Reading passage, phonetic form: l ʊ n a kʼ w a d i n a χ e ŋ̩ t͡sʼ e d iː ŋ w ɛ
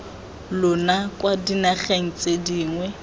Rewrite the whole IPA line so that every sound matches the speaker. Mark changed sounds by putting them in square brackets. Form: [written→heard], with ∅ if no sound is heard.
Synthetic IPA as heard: l ʊ n a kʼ w a d i n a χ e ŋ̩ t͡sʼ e d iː ŋ w ɛ